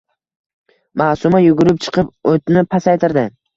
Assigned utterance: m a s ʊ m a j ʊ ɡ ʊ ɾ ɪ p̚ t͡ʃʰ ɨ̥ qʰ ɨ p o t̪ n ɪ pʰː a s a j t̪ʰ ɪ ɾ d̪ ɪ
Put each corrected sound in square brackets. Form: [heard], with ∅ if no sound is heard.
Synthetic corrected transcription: m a s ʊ m a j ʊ ɡ ʊ ɾ ɪ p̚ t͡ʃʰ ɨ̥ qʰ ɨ p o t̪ n ɪ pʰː a s a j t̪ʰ ɪ ɾ d̪ ɪ